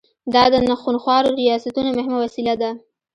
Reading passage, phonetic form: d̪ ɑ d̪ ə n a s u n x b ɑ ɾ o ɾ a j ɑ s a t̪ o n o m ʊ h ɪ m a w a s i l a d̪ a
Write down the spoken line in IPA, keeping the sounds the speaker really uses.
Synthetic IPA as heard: d̪ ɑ d̪ ə n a x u n x w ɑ ɾ o ɾ i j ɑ s a t̪ u n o m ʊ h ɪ m a w a s i l a d̪ a